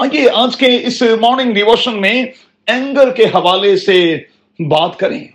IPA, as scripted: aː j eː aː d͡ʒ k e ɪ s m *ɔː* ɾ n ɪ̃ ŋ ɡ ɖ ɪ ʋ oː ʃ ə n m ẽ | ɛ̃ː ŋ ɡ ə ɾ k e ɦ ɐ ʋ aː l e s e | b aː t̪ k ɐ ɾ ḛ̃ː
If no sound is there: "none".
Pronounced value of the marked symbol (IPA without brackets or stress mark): ɔː